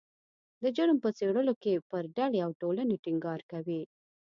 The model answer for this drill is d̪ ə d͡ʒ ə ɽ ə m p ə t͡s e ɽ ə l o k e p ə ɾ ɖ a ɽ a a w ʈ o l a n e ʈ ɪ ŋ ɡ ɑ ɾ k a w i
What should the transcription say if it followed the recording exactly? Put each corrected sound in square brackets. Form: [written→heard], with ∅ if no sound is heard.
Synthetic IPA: d̪ ə d͡ʒ ə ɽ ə m p ə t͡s e ɽ ə l o k e p ə ɾ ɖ a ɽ [a→e] a w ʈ o l a n e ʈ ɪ ŋ ɡ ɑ ɾ k a w i

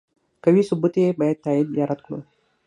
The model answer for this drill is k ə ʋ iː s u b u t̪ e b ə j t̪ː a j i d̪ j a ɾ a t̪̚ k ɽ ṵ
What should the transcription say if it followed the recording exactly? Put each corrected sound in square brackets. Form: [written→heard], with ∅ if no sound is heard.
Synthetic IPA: k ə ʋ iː s u b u t̪ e b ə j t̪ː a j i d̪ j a ɾ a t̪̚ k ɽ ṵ

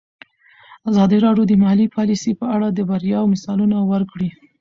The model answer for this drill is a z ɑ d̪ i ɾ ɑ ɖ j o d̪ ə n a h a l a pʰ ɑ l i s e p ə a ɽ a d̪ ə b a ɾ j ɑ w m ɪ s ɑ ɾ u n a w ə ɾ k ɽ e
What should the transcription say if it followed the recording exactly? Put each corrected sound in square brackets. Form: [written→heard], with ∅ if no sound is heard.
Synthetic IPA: a z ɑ d̪ i ɾ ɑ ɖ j o d̪ ə [n→m] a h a l [a→i] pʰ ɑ l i s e p ə a ɽ a d̪ ə b a ɾ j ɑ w m ɪ s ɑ [ɾ→l] u n a w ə ɾ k ɽ [e→i]

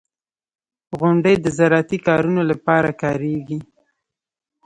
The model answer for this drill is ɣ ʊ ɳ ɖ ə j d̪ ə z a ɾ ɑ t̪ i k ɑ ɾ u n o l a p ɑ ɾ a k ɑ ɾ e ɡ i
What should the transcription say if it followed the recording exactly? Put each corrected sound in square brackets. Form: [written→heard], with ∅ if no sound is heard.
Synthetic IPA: ɣ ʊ ɳ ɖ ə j d̪ ə z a ɾ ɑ t̪ i k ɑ ɾ u n o l a p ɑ ɾ a k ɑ ɾ e ɡ i

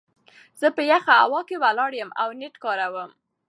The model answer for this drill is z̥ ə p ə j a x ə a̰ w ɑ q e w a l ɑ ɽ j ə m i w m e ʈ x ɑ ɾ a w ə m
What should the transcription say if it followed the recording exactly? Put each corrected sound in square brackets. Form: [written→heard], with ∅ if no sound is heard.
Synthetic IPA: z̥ ə p ə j a x [ə→a] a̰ w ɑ [q→k] e w a l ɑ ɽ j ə m [i→a] w [m→n] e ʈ [x→k] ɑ ɾ a w ə m

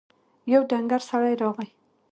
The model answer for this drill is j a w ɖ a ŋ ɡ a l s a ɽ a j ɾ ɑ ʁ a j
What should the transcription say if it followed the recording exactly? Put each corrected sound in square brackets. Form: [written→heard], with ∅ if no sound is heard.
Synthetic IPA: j a w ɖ a ŋ ɡ a [l→ɾ] s a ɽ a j ɾ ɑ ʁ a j

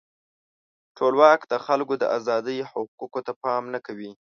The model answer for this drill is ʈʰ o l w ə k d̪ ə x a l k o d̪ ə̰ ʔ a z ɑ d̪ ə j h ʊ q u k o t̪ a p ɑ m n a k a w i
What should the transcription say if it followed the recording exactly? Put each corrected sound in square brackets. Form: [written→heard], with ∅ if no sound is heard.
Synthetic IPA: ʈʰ o l w [ə→ɑ] k d̪ ə x a l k o d̪ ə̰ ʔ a z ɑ d̪ ə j h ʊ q u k o t̪ a p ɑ m n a k a w i

